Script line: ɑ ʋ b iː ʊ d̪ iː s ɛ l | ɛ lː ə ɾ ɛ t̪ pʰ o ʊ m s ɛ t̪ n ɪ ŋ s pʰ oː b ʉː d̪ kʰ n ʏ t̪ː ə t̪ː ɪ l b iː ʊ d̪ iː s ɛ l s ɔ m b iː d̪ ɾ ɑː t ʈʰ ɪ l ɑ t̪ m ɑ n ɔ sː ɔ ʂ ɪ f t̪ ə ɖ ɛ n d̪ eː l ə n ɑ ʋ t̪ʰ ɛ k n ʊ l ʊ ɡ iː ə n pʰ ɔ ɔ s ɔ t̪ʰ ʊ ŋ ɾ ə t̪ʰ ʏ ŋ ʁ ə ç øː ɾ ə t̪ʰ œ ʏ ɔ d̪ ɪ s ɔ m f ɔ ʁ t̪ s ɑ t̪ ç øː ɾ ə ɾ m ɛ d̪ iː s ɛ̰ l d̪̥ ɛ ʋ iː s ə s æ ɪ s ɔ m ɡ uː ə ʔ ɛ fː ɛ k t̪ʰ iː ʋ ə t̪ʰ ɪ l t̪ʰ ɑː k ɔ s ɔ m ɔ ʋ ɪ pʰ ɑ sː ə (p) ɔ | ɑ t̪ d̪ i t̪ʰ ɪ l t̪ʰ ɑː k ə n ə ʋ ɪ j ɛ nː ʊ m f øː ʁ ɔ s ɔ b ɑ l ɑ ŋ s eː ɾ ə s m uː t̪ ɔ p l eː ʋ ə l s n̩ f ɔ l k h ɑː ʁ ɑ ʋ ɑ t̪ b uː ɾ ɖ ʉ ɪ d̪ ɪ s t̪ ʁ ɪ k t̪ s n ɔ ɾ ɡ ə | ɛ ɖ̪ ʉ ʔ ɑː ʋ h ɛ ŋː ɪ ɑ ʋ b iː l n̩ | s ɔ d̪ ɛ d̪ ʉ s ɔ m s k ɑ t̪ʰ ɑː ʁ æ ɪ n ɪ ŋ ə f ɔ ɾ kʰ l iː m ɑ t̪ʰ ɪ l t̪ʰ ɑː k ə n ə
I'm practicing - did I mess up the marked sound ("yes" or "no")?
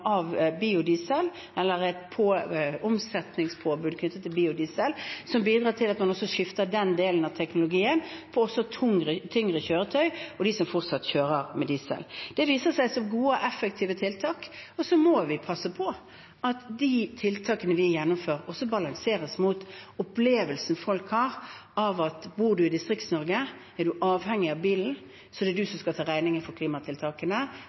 yes